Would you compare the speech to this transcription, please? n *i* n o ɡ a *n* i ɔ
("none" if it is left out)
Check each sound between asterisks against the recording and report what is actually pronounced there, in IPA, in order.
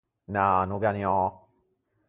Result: a, n

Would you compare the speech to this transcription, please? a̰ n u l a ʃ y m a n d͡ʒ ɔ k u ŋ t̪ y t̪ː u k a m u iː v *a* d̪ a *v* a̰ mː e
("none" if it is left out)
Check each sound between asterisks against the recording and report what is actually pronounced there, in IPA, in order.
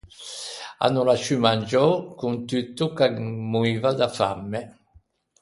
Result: a, f

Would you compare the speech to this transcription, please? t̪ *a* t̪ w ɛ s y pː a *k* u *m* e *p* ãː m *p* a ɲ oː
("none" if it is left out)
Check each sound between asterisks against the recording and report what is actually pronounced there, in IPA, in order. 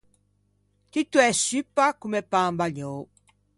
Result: i, k, m, p, b

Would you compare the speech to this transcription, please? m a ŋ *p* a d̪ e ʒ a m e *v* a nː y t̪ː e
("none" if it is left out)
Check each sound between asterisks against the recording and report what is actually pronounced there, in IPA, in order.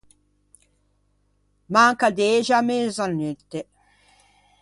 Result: k, z

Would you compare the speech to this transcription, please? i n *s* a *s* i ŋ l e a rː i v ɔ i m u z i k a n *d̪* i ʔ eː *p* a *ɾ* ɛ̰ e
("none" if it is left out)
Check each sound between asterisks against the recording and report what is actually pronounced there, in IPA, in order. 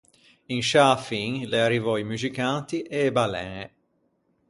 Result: ʃ, f, t̪, b, l

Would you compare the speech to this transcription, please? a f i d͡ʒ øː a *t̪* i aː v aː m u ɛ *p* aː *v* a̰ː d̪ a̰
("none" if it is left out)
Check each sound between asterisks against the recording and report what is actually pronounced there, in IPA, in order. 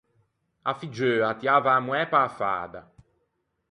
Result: t̪, p, f

